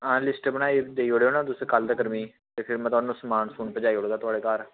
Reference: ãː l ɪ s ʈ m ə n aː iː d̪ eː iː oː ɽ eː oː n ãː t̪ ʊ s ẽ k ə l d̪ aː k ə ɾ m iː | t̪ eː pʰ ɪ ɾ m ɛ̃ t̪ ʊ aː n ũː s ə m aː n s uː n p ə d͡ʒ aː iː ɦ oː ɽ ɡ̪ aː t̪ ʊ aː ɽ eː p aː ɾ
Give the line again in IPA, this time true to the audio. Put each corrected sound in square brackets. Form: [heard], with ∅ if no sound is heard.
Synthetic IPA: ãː l ɪ s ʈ [b] ə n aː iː d̪ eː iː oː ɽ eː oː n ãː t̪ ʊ s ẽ k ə l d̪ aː k ə ɾ m iː | t̪ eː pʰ ɪ ɾ m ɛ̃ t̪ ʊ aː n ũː s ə m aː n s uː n p ə d͡ʒ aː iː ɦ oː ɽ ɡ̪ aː t̪ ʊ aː ɽ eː [k] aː ɾ